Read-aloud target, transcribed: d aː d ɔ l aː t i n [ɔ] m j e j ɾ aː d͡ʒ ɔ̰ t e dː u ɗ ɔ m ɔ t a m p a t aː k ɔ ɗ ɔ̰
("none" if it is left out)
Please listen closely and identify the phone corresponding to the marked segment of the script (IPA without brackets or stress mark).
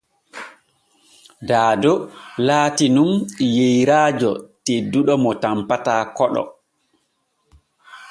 u